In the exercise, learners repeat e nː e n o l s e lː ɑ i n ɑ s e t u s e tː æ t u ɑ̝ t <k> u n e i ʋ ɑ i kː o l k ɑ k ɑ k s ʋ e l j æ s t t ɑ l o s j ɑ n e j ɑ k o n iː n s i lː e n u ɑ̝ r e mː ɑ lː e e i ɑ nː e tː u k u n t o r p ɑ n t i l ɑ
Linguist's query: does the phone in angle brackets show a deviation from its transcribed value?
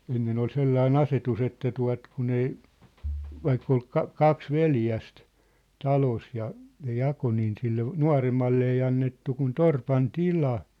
no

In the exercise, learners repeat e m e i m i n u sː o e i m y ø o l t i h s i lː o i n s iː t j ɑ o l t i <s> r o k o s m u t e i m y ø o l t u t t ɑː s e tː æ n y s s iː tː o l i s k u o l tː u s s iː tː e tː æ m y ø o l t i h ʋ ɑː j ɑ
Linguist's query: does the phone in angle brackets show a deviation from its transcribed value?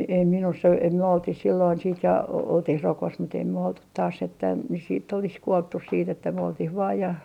yes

